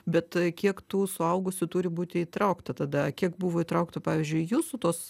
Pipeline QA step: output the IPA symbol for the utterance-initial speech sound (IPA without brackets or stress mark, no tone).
bʲ